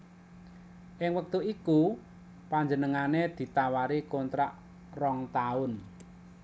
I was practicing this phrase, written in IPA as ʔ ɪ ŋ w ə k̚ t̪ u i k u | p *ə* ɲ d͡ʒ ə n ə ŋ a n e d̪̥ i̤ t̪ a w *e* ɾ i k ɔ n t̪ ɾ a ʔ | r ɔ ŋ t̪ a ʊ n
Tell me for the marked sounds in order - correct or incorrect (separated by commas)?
incorrect, incorrect